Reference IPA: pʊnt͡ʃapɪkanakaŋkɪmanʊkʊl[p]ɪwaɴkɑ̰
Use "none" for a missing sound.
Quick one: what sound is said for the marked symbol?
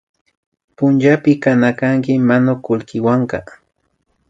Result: k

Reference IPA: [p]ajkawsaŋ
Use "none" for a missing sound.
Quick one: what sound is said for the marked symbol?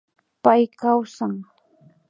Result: p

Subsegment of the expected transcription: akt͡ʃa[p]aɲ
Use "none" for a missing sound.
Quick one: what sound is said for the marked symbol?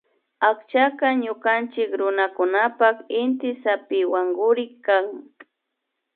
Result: k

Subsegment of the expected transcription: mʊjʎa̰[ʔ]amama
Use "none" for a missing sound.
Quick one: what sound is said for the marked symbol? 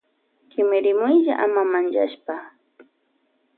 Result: ʔ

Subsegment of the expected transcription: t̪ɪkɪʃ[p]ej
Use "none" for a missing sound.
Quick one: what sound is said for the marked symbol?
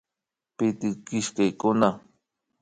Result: k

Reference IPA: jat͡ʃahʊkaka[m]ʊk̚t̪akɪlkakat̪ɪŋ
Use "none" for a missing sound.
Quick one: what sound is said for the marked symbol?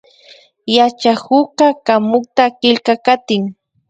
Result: m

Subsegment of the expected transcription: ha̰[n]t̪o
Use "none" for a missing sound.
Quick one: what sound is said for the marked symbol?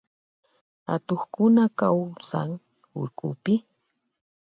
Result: none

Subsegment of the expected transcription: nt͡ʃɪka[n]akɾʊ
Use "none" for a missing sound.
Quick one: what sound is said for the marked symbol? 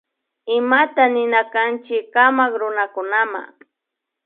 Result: m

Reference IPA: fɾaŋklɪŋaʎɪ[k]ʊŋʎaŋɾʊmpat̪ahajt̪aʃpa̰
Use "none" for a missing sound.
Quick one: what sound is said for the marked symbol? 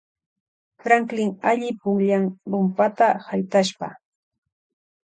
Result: p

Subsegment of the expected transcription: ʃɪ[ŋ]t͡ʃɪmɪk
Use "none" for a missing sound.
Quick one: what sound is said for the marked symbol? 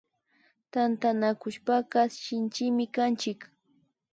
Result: n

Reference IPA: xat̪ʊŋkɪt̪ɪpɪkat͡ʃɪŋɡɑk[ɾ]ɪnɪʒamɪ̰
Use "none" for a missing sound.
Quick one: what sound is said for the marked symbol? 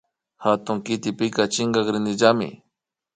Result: ɾ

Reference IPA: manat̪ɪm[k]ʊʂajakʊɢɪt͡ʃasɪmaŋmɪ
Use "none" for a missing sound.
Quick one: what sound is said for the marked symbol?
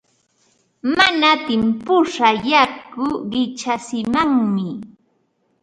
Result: p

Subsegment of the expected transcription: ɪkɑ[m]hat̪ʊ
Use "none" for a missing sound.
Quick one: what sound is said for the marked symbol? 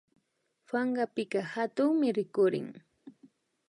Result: none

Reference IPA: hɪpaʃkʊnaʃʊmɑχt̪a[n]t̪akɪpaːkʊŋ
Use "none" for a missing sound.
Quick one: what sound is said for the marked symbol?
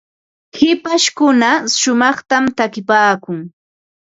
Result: m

